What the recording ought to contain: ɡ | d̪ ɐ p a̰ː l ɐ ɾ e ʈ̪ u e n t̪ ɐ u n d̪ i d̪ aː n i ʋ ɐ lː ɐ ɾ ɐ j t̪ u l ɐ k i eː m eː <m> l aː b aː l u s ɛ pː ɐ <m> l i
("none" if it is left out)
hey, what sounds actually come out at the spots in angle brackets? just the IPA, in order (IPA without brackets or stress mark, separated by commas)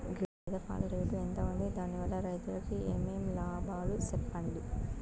m, ɳ